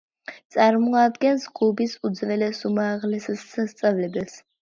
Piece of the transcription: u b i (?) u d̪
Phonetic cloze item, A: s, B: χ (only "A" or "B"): A